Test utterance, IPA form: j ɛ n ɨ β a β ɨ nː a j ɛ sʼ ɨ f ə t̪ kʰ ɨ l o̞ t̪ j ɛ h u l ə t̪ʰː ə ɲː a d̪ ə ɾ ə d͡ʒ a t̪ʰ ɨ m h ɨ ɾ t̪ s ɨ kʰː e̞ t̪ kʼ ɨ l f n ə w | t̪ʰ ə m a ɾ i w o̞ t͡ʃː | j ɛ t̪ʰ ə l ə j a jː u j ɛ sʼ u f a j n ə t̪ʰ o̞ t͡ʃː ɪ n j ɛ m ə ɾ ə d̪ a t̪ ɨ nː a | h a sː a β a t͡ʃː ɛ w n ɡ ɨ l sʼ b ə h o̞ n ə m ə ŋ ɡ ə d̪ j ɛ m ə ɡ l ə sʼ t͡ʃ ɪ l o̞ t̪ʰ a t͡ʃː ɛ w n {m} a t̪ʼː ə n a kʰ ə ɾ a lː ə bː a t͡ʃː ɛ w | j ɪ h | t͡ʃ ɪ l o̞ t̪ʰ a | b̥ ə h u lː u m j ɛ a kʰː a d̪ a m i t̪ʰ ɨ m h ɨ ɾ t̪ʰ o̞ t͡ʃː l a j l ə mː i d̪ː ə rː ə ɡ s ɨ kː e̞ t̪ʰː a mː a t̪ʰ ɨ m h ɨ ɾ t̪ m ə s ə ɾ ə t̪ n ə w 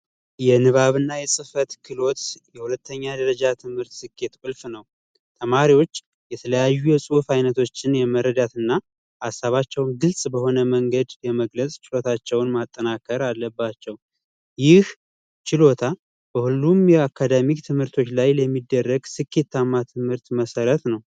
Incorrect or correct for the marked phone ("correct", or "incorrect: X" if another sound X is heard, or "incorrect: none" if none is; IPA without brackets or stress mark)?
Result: correct